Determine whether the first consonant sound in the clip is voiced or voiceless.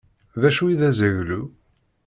voiced